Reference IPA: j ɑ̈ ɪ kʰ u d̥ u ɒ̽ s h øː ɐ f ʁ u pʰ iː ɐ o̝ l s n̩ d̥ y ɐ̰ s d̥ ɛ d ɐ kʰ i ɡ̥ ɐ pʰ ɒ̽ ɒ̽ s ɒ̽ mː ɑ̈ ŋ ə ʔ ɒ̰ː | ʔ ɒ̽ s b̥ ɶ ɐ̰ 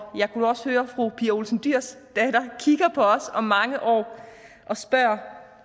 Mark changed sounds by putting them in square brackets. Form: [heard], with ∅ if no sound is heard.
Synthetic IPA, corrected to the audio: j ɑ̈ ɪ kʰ u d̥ u ɒ̽ s h øː ɐ f ʁ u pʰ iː ɐ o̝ l s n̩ d̥ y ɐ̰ s d̥ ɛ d ɐ kʰ i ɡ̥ ɐ pʰ ɒ̽ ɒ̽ s ɒ̽ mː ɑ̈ ŋ ə ʔ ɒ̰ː | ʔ ɒ̽ s b̥ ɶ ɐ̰